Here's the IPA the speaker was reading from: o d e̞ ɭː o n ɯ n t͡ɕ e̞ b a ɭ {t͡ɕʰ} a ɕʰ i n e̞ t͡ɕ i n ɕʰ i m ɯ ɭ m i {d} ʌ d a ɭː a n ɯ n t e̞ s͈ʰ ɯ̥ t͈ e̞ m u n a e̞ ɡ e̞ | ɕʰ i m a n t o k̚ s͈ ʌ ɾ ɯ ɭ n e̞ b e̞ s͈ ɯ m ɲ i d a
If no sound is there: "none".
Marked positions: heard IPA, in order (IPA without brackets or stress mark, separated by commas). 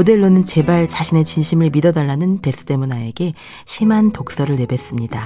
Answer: t͡ɕ, d